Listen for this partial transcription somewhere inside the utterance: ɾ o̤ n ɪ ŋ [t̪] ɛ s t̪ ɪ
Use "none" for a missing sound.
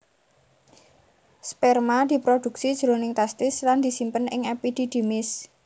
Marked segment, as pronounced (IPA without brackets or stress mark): t̪